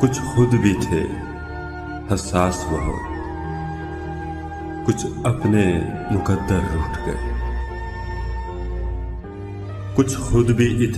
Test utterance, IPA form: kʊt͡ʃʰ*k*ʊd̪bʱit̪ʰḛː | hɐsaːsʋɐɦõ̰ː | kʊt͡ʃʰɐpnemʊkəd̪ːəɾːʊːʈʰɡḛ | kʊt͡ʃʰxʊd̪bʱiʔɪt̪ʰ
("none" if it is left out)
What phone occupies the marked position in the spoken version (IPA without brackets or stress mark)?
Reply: x